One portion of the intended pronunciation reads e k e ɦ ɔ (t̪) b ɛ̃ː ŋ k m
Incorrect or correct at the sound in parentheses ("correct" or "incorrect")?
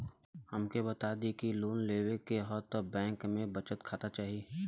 correct